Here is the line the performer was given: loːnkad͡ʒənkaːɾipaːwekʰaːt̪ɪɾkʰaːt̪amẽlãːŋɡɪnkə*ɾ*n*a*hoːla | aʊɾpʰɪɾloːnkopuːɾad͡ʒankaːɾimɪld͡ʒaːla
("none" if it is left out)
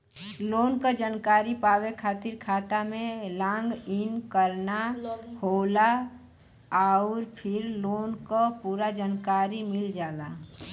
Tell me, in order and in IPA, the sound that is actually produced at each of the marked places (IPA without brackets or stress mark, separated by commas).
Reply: ɾ, a